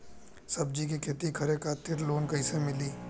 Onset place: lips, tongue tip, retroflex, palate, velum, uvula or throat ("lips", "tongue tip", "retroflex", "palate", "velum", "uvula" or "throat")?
tongue tip